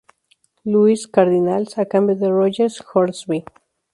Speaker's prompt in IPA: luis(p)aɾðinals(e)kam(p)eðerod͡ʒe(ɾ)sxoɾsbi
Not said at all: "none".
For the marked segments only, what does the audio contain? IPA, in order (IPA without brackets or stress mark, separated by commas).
k, a, b, ɾ